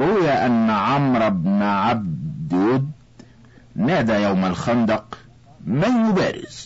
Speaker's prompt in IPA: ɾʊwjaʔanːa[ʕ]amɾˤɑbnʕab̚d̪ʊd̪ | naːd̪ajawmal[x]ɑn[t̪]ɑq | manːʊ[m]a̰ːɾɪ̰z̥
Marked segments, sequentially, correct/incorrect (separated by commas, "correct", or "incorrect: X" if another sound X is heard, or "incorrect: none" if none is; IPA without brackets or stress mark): correct, correct, incorrect: d̪, incorrect: b